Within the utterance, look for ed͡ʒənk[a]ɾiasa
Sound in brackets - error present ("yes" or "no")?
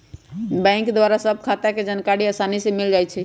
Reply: no